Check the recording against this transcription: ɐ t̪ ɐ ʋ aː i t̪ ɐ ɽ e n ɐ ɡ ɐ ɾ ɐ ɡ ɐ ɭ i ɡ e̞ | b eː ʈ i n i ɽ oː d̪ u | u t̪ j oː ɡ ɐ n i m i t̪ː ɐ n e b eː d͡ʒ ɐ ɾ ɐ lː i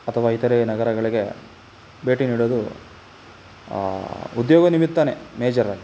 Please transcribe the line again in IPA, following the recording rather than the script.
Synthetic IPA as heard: ɐ t̪ʰ ɐ ʋ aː i t̪ ɐ ɾ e n ɐ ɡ ɐ ɾ ɐ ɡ ɐ ɭ i ɡ e̞ | b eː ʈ i n iː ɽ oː d̪ u | u d̪ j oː ɡ ɐ n i m i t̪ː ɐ n e m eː d͡ʒ ɐ ɾ ɐ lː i